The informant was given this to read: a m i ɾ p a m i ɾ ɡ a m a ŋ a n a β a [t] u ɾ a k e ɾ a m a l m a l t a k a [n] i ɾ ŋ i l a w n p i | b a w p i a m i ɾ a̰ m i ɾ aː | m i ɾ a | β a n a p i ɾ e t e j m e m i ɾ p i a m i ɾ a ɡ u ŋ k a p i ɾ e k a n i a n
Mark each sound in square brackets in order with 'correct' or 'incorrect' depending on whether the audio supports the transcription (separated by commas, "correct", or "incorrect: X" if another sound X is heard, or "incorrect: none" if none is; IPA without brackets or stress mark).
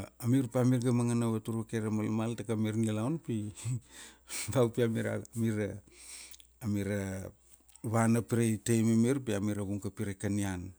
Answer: correct, incorrect: m